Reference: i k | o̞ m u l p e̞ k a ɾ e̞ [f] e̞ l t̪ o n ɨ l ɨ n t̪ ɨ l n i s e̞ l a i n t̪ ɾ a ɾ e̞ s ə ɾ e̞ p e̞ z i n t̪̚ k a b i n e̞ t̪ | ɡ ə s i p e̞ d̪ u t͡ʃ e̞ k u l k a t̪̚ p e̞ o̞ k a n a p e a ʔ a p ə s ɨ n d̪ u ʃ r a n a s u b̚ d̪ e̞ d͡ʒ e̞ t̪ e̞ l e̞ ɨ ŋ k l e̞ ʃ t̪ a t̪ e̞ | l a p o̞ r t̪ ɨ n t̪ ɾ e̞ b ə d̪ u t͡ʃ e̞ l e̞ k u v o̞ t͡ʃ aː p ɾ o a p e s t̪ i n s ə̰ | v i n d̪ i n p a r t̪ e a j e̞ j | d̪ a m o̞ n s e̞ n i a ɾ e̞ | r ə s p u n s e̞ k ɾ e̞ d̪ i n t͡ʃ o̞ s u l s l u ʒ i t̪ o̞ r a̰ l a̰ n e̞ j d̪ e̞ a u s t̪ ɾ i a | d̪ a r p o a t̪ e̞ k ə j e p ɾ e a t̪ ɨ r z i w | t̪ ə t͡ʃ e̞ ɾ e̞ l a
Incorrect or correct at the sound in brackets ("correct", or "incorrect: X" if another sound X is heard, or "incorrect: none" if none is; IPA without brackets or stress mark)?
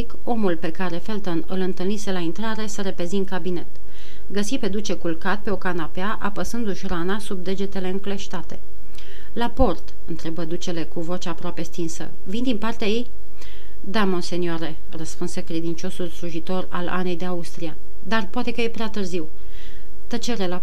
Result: correct